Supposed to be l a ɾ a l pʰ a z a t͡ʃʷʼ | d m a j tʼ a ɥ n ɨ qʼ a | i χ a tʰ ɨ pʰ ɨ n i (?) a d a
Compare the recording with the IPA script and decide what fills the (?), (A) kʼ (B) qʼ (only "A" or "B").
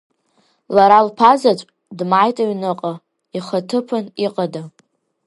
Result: B